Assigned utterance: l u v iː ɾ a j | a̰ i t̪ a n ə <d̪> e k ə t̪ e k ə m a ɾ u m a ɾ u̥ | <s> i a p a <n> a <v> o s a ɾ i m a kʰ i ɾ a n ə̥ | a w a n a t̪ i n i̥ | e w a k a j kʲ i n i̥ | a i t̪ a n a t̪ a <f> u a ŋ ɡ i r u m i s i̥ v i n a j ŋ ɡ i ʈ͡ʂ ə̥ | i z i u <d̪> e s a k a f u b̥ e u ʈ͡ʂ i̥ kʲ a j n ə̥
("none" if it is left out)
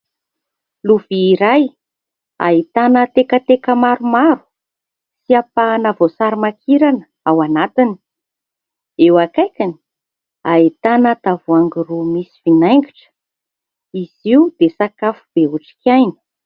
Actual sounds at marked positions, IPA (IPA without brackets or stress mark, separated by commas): t̪, s, n, v, v, d̪